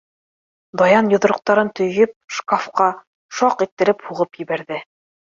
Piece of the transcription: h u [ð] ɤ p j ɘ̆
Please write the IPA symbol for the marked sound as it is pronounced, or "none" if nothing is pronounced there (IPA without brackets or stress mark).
ʁ